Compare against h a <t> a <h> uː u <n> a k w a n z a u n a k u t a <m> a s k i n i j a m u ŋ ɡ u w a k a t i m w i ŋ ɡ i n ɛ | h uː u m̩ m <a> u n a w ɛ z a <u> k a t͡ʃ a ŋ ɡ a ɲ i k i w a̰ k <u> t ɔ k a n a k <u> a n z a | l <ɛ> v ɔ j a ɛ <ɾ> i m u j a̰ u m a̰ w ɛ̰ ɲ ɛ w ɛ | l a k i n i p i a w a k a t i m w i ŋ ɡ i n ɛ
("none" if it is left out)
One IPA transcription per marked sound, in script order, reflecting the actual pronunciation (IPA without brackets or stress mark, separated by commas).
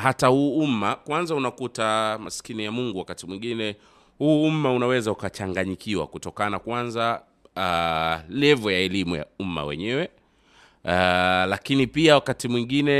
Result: t, h, m, m, a, u, u, w, ɛ, l